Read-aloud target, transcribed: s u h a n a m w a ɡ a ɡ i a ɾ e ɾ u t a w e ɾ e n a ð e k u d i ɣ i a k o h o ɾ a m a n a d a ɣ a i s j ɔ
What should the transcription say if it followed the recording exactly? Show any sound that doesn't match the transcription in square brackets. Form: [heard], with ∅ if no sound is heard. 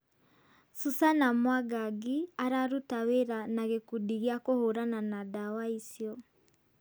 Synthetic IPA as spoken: s u [s] a n a m w a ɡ a ɡ i a ɾ [a] ɾ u t a w e ɾ [a] n a [ɣ] e k u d i ɣ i a k o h o ɾ a [n] a n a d a [w] a i s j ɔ